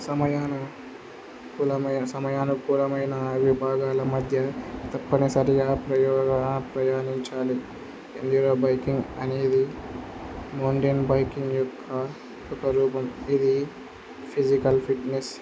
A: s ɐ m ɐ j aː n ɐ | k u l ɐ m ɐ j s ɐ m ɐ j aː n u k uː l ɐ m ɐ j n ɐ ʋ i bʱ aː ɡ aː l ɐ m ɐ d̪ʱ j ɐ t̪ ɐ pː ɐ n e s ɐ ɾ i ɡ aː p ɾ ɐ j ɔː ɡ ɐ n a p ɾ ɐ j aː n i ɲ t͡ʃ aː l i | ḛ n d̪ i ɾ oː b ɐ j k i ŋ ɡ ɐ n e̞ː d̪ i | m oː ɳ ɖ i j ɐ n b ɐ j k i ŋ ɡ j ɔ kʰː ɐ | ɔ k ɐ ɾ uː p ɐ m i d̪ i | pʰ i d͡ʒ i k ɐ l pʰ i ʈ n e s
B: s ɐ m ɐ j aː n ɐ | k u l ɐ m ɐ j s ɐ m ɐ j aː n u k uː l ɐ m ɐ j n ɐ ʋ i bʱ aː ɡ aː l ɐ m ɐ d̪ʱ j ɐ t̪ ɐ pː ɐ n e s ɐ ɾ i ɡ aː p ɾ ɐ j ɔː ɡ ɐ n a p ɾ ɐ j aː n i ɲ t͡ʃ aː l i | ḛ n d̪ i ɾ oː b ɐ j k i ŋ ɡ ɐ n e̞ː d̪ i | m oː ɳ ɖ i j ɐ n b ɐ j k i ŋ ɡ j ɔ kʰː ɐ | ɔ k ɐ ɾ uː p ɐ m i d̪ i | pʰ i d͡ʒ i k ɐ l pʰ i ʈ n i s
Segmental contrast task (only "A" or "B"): A